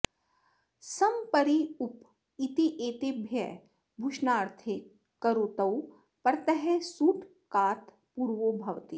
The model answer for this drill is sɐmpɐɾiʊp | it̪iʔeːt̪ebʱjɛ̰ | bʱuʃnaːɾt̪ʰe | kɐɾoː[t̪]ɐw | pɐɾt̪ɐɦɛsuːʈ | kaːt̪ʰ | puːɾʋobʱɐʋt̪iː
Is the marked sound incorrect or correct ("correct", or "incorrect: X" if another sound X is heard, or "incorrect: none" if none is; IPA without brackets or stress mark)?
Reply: correct